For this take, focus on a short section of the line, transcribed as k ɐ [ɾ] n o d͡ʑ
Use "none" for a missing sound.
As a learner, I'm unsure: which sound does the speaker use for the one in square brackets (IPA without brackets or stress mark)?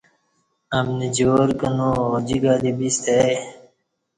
none